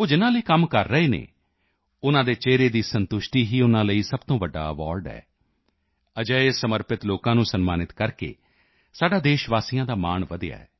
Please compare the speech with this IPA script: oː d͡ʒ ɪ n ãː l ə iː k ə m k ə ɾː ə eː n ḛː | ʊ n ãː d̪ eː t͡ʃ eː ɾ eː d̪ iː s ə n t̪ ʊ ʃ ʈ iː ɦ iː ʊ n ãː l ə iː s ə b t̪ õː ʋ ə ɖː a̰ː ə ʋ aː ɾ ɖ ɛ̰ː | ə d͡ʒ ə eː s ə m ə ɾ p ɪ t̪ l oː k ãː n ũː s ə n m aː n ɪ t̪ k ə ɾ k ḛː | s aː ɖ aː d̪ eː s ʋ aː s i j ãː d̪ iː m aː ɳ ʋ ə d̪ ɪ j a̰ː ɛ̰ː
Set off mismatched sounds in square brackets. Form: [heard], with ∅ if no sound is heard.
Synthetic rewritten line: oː d͡ʒ ɪ n ãː l ə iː k ə m k ə ɾː ə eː n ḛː | ʊ n ãː d̪ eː t͡ʃ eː ɾ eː d̪ iː s ə n t̪ ʊ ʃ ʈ iː ɦ iː ʊ n ãː l ə iː s ə b t̪ õː ʋ ə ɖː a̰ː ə ʋ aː ɾ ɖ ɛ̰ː | ə d͡ʒ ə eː s ə m ə ɾ p ɪ t̪ l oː k ãː n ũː s ə n m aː n ɪ t̪ k ə ɾ k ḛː | s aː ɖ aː d̪ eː [ʃ] ʋ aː s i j ãː d̪ [aː] m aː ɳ ʋ ə d̪ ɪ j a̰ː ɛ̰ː